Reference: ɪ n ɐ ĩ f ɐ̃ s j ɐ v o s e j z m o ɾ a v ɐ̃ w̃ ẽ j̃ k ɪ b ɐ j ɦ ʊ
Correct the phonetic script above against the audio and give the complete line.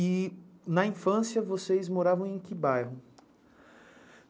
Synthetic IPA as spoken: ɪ n ɐ ĩ f ɐ̃ s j ɐ v o s e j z m o ɾ a v ɐ̃ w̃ ẽ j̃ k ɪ b a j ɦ ʊ